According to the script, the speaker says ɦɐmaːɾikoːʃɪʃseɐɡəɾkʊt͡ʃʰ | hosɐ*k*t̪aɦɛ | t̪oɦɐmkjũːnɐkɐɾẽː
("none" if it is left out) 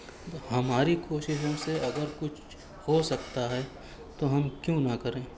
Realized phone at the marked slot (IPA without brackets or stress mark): k